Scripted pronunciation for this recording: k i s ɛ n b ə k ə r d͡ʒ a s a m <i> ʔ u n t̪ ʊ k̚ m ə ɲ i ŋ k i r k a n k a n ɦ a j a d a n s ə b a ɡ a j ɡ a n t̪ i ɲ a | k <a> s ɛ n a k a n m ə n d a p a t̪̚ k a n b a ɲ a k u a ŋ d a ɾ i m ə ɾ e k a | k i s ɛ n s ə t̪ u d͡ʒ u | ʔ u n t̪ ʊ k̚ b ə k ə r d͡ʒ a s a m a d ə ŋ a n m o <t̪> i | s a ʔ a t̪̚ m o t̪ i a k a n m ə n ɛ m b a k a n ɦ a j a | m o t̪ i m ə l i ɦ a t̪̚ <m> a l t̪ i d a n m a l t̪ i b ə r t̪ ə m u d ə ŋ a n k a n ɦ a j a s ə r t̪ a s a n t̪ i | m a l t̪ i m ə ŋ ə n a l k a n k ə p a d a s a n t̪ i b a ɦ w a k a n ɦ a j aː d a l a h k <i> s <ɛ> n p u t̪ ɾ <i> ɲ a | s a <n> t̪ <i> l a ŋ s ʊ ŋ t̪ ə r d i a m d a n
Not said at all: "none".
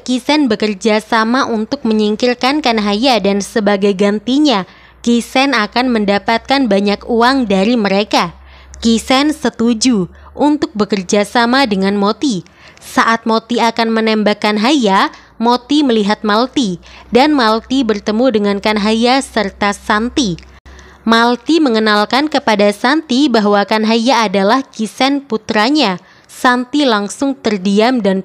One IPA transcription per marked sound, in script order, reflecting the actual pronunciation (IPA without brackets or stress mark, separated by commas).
a, i, t̪, m, i, ɛ, a, n, i